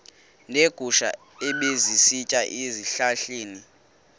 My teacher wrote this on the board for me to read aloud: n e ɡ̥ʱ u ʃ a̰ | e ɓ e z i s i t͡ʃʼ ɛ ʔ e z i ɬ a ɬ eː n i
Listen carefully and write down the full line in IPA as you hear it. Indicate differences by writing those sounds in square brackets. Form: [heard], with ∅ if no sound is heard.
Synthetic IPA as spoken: n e ɡ̥ʱ u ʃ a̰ | e ɓ e z i s i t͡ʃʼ [a] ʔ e z i ɬ a ɬ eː n i